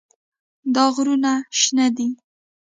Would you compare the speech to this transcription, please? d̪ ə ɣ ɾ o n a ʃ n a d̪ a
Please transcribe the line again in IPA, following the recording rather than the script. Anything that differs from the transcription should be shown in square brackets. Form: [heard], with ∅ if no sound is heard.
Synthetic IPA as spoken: d̪ [ɑ] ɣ ɾ [u] n a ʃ n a d̪ [i]